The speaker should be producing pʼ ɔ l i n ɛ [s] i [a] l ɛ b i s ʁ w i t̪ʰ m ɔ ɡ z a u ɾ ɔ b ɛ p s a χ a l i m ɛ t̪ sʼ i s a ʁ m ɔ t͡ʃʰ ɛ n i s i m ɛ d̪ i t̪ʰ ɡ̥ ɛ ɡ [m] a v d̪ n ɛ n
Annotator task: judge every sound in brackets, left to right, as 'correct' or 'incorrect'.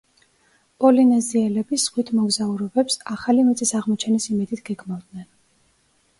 incorrect: z, incorrect: ɛ, correct

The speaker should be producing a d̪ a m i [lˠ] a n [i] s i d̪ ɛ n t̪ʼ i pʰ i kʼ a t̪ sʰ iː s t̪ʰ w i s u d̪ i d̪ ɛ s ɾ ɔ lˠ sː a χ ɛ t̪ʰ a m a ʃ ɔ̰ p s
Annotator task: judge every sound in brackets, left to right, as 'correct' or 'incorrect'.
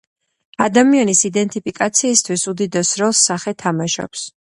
incorrect: none, correct

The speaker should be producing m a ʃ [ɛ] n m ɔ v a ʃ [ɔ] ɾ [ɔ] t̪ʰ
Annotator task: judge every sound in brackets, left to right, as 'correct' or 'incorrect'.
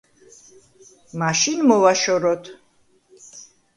incorrect: i, correct, correct

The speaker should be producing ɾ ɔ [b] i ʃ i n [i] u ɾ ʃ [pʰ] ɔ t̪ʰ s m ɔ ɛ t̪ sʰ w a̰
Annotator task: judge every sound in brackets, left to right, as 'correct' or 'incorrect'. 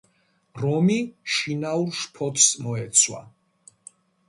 incorrect: m, incorrect: a, correct

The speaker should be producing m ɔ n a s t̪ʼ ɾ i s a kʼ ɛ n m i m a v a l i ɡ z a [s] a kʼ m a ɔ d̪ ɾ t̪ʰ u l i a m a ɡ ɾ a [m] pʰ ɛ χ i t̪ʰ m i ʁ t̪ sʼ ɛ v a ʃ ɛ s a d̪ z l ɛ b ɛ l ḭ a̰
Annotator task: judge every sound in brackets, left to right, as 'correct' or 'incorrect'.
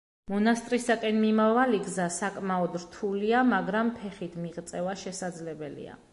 correct, correct

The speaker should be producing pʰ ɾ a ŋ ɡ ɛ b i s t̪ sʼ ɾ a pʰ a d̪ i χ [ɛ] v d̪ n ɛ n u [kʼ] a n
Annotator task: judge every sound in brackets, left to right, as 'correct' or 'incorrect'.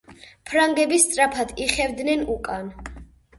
correct, correct

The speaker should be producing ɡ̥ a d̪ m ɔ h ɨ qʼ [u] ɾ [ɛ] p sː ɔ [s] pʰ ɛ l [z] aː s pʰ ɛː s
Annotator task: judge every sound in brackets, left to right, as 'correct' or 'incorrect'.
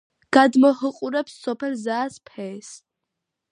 correct, correct, incorrect: none, correct

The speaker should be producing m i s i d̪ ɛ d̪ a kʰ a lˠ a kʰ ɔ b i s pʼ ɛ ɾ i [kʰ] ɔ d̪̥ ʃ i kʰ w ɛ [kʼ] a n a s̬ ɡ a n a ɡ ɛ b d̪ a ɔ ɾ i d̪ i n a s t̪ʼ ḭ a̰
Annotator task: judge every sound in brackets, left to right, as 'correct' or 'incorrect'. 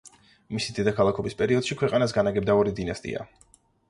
incorrect: none, incorrect: qʼ

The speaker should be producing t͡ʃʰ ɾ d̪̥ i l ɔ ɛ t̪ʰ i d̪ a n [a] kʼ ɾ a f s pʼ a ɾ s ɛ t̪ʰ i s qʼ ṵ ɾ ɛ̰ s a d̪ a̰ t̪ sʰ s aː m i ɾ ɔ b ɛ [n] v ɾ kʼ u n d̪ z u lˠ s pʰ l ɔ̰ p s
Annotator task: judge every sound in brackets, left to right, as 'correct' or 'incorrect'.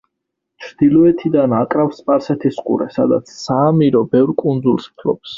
correct, incorrect: none

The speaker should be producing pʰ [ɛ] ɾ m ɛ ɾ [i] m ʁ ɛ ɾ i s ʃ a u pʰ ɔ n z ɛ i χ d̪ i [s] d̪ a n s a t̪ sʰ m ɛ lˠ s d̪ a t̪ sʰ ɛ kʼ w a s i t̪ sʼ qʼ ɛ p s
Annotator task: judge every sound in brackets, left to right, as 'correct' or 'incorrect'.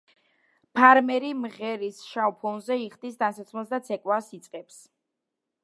incorrect: a, correct, correct

